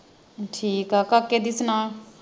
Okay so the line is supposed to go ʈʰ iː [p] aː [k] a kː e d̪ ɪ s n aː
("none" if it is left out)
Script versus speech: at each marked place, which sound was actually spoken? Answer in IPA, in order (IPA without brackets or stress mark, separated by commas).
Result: k, k